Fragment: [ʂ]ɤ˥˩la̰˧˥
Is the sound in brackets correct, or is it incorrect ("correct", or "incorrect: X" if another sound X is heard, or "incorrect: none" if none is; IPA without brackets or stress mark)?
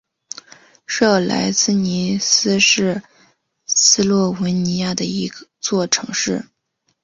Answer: correct